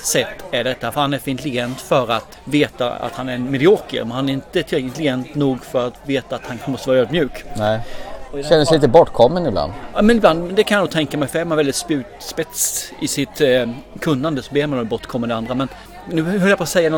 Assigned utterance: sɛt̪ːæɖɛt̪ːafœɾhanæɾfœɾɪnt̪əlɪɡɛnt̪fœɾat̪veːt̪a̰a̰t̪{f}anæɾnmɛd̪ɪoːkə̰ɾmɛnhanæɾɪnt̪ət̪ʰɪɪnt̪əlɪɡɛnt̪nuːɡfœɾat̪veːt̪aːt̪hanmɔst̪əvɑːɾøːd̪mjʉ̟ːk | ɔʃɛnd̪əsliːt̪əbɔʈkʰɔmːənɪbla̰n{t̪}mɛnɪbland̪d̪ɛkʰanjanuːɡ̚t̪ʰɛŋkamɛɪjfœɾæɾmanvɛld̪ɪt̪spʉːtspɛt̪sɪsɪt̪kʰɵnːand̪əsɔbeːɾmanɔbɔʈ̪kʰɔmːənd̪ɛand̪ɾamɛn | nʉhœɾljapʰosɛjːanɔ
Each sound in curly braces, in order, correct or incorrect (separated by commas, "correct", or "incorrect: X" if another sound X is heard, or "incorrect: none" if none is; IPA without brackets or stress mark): incorrect: h, incorrect: d̪